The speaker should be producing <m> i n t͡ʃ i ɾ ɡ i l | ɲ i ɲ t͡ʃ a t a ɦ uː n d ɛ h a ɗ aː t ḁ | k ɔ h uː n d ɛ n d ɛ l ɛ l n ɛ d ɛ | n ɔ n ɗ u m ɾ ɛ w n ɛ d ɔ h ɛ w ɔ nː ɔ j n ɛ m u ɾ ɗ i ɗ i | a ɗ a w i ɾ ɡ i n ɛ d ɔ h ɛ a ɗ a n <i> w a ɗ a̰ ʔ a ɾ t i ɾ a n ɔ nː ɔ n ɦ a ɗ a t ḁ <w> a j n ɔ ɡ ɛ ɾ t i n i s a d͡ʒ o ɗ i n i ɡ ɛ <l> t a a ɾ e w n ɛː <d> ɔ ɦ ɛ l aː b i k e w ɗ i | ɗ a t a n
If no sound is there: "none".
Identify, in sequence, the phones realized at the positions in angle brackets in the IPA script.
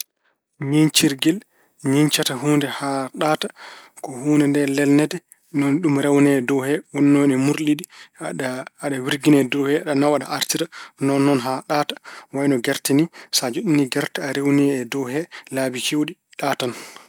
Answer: ɲ, a, w, ɾ, d

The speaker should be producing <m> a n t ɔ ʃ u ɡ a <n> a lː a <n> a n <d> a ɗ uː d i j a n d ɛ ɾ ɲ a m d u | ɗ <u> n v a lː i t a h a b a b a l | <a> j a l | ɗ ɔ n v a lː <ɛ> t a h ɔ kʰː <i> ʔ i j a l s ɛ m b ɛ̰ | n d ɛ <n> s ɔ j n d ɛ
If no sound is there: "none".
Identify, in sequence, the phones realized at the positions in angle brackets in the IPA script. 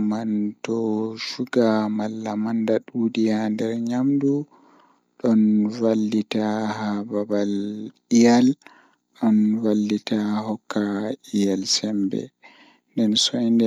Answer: m, m, m, d, ɔ, i, i, a, n

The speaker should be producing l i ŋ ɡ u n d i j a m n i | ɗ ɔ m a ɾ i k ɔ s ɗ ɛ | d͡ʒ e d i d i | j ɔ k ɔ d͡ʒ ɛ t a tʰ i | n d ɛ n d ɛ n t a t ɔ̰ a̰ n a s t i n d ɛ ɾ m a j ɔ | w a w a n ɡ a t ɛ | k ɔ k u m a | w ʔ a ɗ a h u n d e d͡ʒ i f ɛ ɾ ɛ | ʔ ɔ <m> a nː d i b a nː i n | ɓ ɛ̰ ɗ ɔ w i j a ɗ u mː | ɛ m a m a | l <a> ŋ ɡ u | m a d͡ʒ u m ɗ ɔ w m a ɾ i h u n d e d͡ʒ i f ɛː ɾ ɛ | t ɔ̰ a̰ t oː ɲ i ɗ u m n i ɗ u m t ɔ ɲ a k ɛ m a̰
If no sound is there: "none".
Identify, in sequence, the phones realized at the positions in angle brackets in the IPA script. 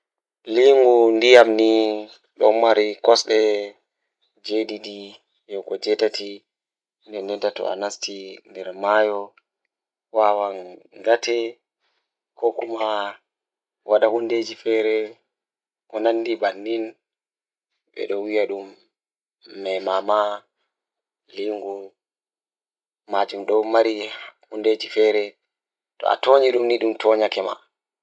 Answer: n, i

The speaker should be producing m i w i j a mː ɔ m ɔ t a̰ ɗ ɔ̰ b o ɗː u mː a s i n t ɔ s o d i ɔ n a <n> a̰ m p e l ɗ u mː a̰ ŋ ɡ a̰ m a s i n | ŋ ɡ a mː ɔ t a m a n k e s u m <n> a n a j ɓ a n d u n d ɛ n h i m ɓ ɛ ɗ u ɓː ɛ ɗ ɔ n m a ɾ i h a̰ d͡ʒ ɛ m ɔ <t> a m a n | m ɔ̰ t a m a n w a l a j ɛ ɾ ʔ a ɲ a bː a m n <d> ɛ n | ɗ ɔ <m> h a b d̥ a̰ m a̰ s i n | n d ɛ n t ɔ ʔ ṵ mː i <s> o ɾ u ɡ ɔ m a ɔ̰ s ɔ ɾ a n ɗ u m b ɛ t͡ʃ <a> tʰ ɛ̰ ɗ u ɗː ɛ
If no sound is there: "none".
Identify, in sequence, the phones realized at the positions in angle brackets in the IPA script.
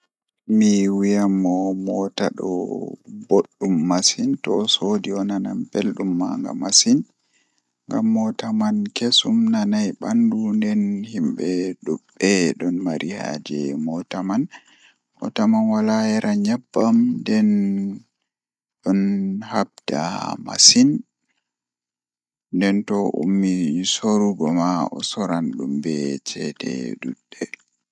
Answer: n, n, t, d, n, s, ɛ

